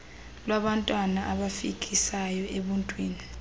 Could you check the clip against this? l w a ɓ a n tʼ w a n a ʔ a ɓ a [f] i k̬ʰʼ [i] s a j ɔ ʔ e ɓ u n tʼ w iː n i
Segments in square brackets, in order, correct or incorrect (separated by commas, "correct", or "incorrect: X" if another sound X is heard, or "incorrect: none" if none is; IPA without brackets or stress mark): correct, correct